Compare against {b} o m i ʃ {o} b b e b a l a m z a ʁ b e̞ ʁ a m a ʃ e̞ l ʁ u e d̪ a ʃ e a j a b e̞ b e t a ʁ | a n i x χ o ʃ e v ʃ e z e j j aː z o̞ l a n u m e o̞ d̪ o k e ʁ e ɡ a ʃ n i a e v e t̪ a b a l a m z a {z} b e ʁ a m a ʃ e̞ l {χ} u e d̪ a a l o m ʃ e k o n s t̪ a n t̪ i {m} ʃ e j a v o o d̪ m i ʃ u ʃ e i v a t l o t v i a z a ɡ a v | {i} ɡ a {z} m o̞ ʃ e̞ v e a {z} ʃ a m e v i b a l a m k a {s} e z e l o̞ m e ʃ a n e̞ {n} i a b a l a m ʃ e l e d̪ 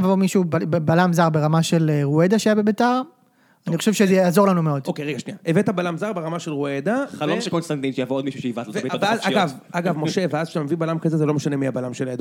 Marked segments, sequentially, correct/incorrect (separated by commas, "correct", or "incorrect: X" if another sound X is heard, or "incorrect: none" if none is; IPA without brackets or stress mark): incorrect: v, incorrect: u, incorrect: ʁ, incorrect: ʁ, incorrect: n, incorrect: a, incorrect: v, correct, incorrect: z, incorrect: m